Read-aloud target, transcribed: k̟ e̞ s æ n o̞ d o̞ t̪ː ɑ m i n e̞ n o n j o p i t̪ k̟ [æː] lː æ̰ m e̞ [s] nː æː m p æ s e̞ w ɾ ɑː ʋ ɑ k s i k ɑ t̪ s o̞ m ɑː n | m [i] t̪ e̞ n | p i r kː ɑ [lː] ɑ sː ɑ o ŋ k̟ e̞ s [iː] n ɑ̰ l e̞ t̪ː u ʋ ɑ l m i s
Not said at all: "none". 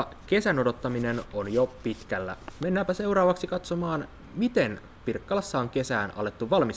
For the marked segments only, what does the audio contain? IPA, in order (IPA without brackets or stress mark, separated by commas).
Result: æ, none, i, l, æː